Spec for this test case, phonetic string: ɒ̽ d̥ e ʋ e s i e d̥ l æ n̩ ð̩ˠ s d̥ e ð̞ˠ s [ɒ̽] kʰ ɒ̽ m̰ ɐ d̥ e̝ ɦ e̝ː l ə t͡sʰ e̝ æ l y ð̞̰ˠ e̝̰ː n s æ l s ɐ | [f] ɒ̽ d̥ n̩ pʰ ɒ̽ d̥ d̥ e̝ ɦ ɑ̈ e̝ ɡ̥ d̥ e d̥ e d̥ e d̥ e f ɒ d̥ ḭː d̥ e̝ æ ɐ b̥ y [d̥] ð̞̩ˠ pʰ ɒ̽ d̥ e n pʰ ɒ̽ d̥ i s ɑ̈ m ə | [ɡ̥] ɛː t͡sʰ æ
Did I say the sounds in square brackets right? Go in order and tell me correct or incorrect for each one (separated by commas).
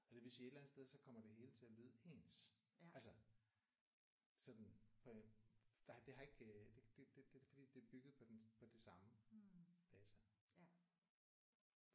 correct, incorrect, incorrect, incorrect